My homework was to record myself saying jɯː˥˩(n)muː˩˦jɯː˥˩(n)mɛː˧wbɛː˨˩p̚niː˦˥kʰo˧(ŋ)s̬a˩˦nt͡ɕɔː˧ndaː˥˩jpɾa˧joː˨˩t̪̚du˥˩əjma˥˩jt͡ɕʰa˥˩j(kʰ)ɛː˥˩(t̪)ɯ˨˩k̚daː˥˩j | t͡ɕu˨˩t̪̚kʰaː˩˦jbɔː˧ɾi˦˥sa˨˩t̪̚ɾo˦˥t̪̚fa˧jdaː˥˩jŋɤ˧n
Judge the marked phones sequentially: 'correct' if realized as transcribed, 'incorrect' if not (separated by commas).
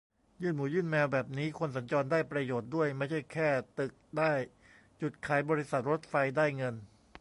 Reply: correct, correct, incorrect, correct, correct